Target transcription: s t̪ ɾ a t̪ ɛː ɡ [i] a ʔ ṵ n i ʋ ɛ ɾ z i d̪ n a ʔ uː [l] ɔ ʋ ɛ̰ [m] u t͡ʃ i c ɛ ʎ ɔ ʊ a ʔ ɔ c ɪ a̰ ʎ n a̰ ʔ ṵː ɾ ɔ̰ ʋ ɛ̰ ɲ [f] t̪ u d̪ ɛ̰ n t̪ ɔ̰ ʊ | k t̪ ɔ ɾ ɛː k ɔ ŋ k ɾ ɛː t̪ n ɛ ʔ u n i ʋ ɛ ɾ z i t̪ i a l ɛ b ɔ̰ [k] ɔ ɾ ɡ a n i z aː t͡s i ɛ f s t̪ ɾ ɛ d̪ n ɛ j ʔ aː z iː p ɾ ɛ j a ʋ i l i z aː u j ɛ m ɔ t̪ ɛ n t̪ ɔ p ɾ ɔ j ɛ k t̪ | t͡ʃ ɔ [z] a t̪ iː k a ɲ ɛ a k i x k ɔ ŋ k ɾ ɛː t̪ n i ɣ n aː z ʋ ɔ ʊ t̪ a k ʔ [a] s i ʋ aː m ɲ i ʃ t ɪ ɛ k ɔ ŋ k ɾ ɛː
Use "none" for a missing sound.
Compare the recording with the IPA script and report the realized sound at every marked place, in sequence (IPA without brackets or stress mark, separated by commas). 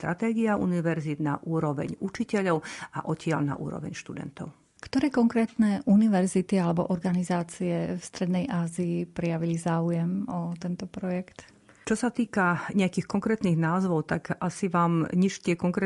i, ɾ, ɲ, ʃ, ʔ, s, a